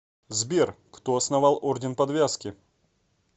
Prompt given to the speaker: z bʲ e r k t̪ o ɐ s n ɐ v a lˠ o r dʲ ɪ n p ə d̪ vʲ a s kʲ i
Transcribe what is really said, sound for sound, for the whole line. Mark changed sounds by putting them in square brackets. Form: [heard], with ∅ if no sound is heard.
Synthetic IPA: z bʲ e r k t̪ o ɐ s n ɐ v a lˠ o r dʲ ɪ n p [ɐ] d̪ vʲ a s kʲ [ɪ]